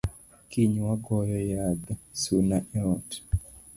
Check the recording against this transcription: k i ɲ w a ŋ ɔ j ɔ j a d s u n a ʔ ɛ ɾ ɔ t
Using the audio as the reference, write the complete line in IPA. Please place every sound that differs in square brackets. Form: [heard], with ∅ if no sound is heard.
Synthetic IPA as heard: k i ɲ w a [ɡ] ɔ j ɔ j a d s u n a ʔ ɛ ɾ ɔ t